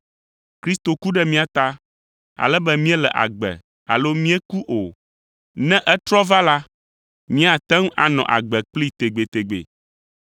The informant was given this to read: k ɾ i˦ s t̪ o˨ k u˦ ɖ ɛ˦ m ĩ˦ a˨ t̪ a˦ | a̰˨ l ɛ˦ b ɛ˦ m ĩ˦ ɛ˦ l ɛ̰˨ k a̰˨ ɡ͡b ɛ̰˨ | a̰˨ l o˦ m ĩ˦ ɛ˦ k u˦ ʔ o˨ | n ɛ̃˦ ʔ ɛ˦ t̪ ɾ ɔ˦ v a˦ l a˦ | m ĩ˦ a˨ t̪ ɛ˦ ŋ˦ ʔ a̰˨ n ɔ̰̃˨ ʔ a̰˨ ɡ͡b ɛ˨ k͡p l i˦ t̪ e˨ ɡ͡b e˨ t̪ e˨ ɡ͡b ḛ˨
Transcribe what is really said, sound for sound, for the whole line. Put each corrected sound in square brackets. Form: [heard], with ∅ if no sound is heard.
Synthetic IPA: k ɾ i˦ s t̪ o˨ k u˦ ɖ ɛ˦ m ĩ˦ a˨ t̪ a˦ | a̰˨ l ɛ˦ b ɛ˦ m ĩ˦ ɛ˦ l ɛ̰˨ [ʔ] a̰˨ ɡ͡b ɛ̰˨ | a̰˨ l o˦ m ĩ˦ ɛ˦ k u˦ ʔ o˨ | n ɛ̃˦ ʔ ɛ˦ t̪ ɾ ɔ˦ v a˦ l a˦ | m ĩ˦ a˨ t̪ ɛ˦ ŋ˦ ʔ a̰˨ n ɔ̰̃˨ ʔ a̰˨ ɡ͡b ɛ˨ k͡p l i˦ t̪ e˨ ɡ͡b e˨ t̪ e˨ ɡ͡b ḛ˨